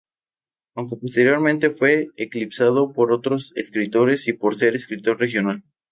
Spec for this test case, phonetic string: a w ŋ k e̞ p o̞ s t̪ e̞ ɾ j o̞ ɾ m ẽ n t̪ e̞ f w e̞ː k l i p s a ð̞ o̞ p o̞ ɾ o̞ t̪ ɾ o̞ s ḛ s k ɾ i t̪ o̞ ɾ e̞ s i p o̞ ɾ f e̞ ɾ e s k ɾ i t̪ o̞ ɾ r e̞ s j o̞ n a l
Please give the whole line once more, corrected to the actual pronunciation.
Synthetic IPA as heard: a w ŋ k e̞ p o̞ s t̪ e̞ ɾ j o̞ ɾ m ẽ n t̪ e̞ f w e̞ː k l i p s a ð̞ o̞ p o̞ ɾ o̞ t̪ ɾ o̞ s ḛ s k ɾ i t̪ o̞ ɾ e̞ s i p o̞ ɾ s e̞ ɾ e s k ɾ i t̪ o̞ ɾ r e̞ x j o̞ n a l